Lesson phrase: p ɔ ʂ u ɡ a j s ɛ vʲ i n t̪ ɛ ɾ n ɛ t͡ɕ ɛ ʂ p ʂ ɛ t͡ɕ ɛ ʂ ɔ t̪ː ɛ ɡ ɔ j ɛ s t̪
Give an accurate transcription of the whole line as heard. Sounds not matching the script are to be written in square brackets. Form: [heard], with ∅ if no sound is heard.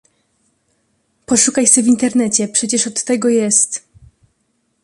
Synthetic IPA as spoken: p ɔ ʂ u [k] a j s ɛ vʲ i n t̪ ɛ ɾ n ɛ t͡ɕ ɛ [∅] p ʂ ɛ t͡ɕ ɛ ʂ ɔ t̪ː ɛ ɡ ɔ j ɛ s t̪